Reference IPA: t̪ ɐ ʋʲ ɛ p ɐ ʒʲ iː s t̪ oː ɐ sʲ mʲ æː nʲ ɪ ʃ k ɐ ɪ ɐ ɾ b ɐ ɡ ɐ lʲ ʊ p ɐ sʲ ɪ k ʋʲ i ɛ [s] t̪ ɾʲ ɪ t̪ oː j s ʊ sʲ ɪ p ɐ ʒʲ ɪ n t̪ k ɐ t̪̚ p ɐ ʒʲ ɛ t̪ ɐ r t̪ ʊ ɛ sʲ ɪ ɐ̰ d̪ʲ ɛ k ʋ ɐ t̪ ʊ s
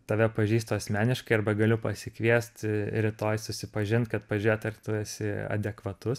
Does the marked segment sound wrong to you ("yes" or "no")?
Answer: no